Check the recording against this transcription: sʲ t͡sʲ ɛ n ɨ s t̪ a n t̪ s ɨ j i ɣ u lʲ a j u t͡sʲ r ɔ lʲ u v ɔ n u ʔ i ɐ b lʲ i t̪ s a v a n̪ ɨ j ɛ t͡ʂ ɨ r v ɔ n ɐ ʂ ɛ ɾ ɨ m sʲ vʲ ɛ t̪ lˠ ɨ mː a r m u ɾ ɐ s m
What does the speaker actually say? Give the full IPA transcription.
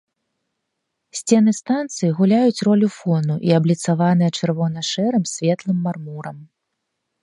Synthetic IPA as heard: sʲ t͡sʲ ɛ n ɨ s t̪ a n t̪ s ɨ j i ɣ u lʲ a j u t͡sʲ r ɔ lʲ u f ɔ n u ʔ i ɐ b lʲ i t̪ s a v a n̪ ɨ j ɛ t͡ʂ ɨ r v ɔ n ɐ ʂ ɛ ɾ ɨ m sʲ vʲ ɛ t̪ lˠ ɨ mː a r m u ɾ ɐ m